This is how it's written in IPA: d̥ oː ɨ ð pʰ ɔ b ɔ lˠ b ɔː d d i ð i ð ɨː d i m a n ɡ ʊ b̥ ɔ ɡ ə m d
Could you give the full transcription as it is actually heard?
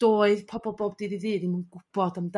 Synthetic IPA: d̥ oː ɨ ð pʰ ɔ b ɔ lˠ b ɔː b d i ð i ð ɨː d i m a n ɡ ʊ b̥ ɔ d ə m d

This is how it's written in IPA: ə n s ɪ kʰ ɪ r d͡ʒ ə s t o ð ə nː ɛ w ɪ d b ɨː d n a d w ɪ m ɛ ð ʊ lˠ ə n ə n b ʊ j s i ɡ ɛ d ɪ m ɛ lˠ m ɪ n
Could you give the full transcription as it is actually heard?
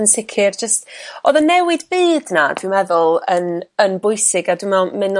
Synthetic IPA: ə n s ɪ kʰ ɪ r d͡ʒ ə s t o ð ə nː ɛ w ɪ d b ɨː d n a d w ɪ m ɛ ð ʊ lˠ ə n ə n b ʊ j s ɪ ɡ a d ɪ m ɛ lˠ m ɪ n

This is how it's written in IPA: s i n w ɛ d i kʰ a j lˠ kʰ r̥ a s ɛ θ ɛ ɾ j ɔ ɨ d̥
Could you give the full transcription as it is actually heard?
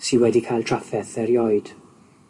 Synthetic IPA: s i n w ɛ d i kʰ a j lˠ tʰ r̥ a f ɛ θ ɛ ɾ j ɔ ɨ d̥

